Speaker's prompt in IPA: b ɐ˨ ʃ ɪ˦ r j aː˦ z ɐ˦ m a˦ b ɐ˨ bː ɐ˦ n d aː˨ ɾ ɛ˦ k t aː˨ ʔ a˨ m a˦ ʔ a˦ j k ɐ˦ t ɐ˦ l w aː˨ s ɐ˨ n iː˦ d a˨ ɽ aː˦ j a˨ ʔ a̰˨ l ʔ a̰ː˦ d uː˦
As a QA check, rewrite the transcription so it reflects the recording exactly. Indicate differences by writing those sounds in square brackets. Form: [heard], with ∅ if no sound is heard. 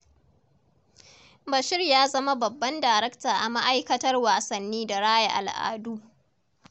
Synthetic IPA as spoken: b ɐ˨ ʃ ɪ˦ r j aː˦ z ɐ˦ m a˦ b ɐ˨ bː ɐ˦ n d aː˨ ɾ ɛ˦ k t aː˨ ʔ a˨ m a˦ ʔ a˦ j k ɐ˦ t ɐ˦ [r] w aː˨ s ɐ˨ [nː] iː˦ d a˨ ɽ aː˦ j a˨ ʔ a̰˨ l ʔ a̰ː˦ d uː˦